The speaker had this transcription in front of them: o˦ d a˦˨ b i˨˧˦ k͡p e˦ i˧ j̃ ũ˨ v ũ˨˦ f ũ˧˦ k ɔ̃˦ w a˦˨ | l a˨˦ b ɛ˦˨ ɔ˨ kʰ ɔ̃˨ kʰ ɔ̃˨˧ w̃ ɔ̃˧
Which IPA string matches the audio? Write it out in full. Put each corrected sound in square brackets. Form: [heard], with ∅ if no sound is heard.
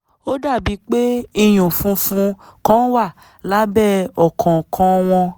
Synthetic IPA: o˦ d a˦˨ b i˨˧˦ k͡p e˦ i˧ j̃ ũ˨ [f] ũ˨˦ f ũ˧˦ k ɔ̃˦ w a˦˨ | l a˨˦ b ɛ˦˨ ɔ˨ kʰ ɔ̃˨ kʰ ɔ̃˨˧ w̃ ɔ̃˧